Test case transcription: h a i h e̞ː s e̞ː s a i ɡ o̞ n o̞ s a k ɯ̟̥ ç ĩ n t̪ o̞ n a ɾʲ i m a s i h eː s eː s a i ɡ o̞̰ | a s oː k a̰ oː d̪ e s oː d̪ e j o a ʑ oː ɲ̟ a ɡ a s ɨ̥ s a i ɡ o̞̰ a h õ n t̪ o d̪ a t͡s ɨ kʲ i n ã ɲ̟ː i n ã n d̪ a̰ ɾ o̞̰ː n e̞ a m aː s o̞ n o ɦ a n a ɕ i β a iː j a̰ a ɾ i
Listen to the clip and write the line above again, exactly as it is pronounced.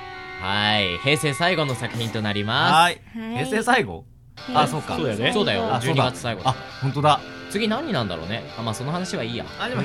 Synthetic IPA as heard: h a i h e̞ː s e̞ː s a i ɡ o̞ n o̞ s a k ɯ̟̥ ç ĩ n t̪ o̞ n a ɾʲ i m a s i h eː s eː s a i ɡ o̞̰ | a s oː k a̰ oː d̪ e s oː d̪ a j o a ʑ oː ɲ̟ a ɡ a t͡s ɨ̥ s a i ɡ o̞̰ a h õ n t̪ o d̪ a t͡s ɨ ɡʲ i n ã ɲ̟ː i n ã n d̪ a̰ ɾ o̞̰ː n e̞ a m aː s o̞ n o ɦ a n a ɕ i β a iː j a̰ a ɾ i